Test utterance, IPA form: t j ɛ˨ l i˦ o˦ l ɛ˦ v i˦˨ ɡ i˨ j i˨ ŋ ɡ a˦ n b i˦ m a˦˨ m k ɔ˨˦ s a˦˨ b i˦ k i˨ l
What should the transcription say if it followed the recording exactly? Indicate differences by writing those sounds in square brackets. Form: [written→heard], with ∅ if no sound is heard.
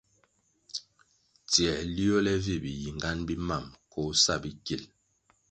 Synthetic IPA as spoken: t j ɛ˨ l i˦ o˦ l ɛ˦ v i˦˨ [ɡ→b] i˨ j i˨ ŋ ɡ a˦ n b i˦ m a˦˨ m k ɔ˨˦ s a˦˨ b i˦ k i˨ l